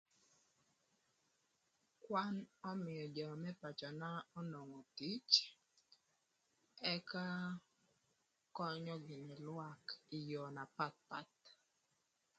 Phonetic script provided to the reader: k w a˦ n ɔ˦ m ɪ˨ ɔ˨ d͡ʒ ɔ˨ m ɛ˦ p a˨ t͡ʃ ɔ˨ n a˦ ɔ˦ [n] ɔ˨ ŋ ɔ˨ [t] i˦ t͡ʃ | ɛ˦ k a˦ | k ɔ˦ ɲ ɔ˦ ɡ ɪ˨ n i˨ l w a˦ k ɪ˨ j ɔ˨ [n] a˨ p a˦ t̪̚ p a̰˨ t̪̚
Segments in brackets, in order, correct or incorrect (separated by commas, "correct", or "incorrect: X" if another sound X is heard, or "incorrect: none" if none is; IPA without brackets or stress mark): correct, correct, correct